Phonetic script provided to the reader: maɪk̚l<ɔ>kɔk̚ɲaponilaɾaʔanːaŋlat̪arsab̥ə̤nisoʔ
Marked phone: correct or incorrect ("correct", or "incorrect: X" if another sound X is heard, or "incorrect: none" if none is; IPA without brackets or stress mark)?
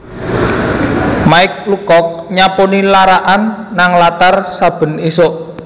incorrect: u